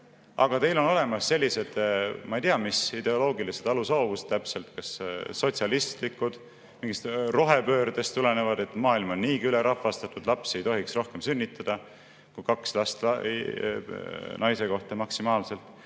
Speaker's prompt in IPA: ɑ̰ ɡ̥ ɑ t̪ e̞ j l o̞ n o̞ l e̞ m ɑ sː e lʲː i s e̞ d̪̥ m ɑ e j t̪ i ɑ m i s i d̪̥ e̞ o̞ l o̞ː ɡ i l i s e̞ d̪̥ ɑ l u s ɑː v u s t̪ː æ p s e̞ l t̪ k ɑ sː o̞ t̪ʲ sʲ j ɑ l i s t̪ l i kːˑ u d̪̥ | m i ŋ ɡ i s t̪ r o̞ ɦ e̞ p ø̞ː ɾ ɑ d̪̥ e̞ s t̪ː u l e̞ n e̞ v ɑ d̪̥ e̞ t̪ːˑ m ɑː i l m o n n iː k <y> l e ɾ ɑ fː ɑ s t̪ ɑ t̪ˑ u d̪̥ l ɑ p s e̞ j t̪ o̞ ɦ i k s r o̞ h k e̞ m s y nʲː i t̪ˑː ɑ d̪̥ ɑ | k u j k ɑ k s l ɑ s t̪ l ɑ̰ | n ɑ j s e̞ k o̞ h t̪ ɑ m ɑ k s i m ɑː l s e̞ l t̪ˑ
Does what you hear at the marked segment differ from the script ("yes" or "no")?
no